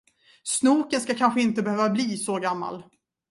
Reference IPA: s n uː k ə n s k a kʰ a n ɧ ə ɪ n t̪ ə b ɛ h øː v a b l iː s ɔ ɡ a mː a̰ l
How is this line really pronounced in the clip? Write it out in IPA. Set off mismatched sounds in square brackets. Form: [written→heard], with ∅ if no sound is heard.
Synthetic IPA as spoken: s n uː k ə n s k a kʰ a n ɧ ə ɪ n t̪ ə b ɛ h øː v a b l iː s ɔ ɡ a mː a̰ l